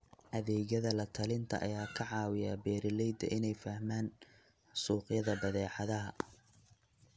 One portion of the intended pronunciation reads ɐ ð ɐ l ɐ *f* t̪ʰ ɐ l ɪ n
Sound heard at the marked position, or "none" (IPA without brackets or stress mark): none